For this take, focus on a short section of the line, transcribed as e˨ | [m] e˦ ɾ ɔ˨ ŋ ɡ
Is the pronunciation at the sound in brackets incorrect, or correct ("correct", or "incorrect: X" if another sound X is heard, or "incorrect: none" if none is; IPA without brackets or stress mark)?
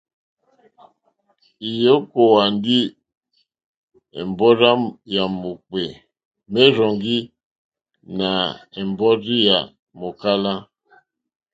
correct